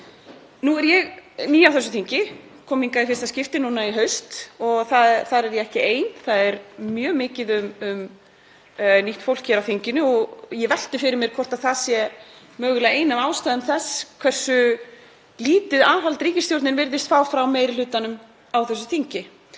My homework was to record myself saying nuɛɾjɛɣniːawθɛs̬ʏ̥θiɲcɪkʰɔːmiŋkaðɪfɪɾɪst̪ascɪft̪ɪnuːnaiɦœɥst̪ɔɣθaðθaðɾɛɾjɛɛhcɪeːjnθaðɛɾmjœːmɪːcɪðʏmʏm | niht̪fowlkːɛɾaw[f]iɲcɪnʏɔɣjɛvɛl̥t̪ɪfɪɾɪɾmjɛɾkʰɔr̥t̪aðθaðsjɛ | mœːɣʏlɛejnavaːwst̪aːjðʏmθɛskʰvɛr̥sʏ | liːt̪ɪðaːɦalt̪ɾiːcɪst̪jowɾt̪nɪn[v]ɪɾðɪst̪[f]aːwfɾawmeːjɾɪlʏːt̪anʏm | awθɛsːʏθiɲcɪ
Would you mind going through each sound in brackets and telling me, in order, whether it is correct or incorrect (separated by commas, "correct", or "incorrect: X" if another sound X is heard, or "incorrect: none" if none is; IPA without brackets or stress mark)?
incorrect: θ, correct, correct